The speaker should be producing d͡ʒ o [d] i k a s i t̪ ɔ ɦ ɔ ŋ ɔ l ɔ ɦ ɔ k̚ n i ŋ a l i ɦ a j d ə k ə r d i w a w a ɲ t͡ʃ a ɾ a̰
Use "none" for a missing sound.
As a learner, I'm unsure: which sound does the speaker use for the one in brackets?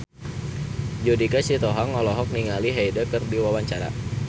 d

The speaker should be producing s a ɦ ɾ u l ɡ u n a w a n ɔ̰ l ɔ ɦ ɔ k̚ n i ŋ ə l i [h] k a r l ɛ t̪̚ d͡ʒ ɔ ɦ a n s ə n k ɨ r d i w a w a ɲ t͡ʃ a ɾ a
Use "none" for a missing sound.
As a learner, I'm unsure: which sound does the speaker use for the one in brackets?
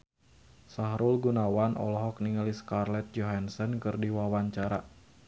s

